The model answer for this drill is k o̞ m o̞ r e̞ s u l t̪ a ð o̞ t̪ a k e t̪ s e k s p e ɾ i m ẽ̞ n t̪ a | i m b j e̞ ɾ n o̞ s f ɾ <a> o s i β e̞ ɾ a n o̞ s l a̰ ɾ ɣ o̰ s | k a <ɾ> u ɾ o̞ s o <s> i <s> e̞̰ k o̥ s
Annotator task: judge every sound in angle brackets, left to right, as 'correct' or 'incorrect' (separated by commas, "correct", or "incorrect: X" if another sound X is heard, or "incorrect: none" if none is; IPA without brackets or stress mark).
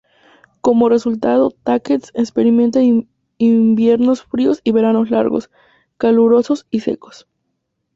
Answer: incorrect: i, incorrect: l, correct, correct